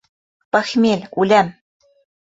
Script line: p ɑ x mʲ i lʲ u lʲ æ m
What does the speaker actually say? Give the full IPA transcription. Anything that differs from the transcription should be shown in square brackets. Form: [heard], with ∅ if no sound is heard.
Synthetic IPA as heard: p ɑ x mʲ [e] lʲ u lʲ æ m